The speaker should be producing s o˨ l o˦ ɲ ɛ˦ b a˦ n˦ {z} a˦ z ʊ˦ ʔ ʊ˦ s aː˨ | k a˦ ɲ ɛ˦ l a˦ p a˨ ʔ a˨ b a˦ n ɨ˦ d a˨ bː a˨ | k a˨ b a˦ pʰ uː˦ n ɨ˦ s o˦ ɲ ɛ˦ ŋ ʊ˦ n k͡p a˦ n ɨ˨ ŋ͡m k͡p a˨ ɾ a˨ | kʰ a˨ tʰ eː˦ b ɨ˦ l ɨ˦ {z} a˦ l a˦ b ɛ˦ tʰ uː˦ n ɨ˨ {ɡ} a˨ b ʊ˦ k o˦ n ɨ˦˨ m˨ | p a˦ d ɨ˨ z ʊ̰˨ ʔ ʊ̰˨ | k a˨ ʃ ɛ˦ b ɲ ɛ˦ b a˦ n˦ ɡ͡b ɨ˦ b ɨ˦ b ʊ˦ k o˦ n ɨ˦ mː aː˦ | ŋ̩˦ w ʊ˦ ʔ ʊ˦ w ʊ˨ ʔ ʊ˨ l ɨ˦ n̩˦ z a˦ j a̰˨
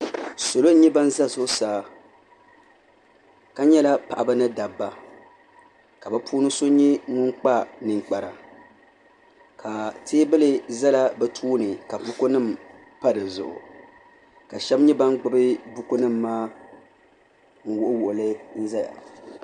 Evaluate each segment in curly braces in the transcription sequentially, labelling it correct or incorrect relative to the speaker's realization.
correct, correct, incorrect: k

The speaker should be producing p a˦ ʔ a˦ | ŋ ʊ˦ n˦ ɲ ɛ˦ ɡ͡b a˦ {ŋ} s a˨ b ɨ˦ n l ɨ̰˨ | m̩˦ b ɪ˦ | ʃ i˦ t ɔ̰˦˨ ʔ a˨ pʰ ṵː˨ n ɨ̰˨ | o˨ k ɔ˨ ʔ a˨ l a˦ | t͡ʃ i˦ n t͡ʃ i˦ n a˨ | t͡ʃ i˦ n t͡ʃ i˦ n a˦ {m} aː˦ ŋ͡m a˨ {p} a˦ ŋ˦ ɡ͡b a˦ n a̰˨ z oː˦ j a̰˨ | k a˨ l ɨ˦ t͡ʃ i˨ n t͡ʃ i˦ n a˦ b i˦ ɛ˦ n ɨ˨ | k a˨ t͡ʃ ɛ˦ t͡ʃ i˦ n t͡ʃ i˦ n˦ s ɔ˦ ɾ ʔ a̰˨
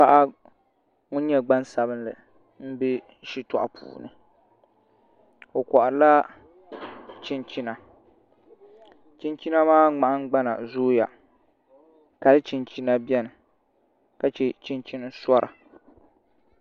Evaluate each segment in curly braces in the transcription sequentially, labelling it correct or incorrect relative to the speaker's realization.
incorrect: n, correct, incorrect: ʔ

